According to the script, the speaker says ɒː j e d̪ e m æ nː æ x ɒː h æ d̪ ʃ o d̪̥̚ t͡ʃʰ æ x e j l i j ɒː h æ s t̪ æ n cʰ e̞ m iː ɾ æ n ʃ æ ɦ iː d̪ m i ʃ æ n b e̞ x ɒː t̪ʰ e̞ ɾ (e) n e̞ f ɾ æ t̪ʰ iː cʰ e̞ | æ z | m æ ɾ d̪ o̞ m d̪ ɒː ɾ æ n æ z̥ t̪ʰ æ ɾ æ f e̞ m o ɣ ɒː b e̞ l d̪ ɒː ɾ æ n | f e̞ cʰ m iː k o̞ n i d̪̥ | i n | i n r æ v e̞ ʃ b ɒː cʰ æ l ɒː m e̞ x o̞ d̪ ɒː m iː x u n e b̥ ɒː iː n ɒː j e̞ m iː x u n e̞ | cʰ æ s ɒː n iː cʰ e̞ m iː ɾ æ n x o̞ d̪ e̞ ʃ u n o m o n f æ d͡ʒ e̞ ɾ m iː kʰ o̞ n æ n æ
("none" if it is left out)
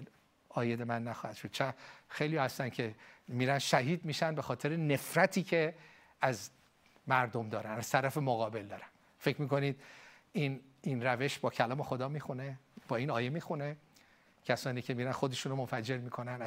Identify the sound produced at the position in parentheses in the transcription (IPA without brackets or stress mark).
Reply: e